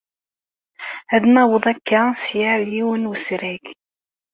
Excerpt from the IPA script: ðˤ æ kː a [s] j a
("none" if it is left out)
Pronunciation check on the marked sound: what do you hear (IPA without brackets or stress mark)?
s